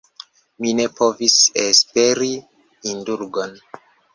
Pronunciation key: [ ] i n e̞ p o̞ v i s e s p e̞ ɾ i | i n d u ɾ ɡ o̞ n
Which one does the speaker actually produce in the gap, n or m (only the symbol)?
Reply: m